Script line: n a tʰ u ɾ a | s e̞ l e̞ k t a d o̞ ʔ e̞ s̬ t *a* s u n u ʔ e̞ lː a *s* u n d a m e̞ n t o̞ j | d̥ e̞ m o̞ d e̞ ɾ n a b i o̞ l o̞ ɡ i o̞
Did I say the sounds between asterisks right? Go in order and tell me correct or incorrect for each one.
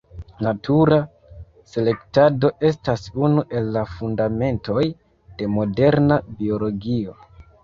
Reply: correct, incorrect: f

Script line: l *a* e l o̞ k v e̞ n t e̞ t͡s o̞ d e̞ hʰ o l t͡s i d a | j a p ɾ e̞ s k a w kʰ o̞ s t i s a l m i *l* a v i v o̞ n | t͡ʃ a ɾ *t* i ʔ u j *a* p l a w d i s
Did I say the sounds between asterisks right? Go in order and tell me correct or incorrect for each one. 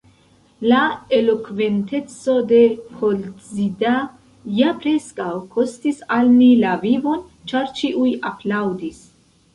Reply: correct, correct, incorrect: t͡ʃ, correct

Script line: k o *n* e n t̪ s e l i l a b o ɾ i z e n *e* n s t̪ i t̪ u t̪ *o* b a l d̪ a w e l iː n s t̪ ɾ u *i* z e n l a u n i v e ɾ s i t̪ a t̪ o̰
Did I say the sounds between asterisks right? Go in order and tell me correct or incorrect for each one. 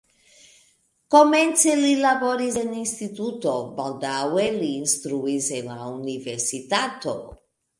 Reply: incorrect: m, incorrect: i, correct, correct

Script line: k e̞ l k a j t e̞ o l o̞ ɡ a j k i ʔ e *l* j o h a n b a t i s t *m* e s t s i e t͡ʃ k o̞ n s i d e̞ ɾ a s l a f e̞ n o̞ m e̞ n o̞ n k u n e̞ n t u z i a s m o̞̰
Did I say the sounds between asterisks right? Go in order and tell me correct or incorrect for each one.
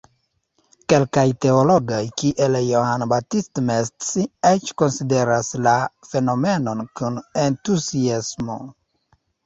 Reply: correct, correct

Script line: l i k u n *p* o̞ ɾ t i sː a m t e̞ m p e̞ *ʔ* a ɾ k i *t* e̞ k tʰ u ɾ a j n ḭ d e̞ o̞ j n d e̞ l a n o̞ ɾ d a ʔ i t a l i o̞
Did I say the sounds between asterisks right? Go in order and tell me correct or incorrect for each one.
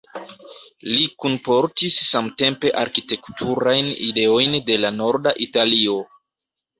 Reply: correct, correct, correct

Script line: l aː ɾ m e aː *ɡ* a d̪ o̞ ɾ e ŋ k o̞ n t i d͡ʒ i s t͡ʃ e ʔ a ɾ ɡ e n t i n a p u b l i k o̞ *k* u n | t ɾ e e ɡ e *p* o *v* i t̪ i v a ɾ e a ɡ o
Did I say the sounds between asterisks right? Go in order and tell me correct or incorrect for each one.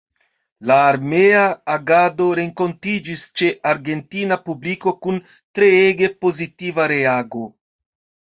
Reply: correct, correct, correct, incorrect: z

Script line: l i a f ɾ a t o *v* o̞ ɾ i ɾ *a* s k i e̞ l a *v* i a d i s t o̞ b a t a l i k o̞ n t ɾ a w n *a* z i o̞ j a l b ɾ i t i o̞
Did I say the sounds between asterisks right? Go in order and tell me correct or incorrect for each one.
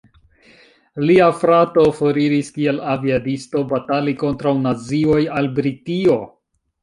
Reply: incorrect: f, incorrect: i, correct, correct

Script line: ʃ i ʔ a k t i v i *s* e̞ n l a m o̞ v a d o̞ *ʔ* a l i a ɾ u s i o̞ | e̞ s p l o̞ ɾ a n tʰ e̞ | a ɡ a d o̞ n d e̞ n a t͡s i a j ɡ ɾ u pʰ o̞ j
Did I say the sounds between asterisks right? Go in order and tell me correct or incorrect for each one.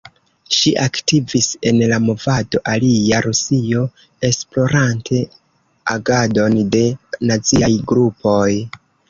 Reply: correct, correct

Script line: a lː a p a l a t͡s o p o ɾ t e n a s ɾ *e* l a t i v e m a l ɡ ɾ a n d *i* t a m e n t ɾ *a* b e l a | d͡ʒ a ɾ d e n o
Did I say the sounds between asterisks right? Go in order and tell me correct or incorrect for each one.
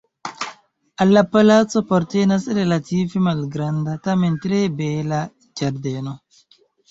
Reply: correct, incorrect: a, incorrect: e

